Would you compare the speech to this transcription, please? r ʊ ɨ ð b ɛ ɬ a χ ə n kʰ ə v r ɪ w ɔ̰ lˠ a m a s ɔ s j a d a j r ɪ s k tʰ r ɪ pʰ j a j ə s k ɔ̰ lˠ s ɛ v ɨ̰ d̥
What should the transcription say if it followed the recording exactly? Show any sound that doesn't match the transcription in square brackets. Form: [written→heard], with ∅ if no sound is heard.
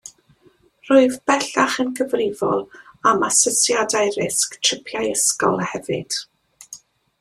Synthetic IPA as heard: r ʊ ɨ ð b ɛ ɬ a χ ə n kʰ ə v r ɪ [w→v] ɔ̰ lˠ a m a s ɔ s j a d a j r ɪ s k tʰ r ɪ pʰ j a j ə s k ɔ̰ lˠ [s→h] ɛ v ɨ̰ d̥